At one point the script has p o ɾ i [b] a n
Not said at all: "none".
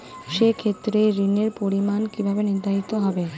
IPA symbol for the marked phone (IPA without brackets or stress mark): m